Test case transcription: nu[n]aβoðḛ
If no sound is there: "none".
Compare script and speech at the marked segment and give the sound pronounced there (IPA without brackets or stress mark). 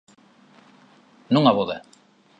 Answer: ŋ